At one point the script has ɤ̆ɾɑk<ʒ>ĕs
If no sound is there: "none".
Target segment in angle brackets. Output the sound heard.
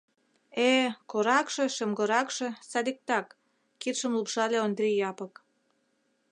ʃ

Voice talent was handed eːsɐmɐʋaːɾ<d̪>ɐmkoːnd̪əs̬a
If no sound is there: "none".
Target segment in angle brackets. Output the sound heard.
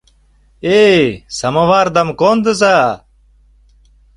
d̪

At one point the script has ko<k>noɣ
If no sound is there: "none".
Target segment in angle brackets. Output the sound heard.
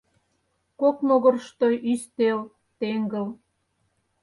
k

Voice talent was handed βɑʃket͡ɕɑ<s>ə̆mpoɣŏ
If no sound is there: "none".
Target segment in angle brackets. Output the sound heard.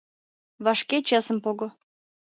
s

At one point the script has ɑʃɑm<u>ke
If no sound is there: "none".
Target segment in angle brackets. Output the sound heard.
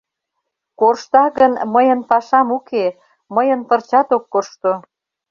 u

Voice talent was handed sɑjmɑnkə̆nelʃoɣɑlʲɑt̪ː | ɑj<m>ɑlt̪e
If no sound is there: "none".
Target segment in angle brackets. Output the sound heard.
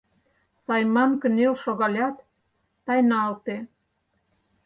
n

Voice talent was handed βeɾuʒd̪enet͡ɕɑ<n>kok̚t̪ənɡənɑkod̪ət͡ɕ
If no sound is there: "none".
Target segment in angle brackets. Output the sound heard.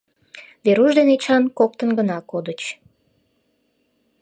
n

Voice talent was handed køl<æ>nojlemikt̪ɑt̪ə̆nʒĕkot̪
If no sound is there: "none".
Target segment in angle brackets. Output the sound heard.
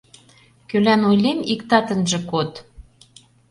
æ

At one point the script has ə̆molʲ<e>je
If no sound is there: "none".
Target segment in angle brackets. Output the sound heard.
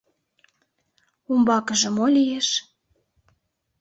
i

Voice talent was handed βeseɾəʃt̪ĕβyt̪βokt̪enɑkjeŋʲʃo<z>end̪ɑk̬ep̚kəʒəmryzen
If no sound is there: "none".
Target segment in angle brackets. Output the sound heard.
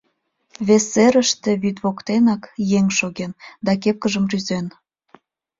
ɣ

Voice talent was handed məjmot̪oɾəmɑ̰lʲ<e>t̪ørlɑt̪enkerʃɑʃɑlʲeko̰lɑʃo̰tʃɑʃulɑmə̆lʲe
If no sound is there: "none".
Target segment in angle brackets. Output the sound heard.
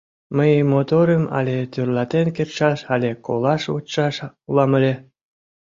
e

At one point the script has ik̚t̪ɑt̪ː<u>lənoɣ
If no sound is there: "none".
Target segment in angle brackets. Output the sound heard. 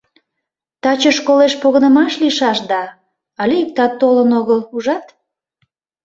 o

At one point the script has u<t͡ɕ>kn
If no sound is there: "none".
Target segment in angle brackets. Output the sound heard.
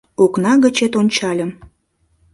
none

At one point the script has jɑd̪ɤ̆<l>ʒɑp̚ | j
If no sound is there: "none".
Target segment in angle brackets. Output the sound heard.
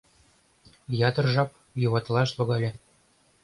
r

